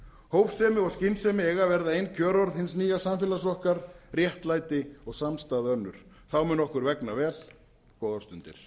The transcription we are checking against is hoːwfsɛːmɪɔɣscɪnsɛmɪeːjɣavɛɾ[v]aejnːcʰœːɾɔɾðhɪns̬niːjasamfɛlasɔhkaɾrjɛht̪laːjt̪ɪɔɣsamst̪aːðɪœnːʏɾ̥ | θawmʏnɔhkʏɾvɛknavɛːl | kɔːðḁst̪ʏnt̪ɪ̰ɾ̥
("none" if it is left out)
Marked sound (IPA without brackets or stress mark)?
ð